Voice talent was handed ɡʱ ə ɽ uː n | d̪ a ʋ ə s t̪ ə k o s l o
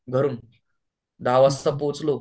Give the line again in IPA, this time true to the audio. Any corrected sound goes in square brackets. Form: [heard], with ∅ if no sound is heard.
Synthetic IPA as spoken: ɡʱ ə [ɾ] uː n | d̪ a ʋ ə s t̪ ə [p] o [t͡s] l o